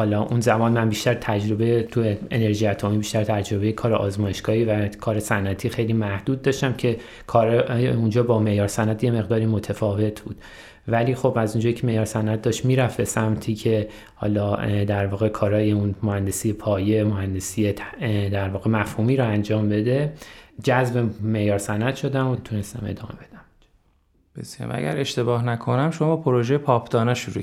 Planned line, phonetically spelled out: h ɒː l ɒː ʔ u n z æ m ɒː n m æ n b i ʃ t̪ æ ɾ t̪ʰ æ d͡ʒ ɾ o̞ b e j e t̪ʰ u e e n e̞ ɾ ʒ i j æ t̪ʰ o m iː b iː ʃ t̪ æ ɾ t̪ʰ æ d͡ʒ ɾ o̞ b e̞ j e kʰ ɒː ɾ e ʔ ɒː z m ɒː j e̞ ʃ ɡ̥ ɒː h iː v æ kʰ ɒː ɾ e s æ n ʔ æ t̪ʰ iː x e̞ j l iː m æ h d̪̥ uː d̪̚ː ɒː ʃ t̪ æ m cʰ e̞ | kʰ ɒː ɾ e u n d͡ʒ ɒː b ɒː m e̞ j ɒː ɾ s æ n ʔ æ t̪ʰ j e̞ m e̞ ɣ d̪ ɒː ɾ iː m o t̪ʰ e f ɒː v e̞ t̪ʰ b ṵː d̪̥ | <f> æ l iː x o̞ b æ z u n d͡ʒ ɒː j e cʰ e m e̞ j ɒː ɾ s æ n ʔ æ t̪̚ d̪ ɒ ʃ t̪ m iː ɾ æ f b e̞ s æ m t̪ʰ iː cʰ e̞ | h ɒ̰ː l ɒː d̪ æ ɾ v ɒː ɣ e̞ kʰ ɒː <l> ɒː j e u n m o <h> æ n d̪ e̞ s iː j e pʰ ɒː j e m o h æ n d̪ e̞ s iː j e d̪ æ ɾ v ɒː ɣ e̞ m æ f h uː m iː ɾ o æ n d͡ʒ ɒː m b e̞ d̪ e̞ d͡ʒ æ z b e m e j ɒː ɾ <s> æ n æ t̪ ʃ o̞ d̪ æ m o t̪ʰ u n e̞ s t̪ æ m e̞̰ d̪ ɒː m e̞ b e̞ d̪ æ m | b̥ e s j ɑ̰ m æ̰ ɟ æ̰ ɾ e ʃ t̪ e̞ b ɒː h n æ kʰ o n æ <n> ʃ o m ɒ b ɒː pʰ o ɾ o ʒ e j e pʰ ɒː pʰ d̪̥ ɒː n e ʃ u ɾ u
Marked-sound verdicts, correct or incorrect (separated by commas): incorrect, incorrect, correct, correct, incorrect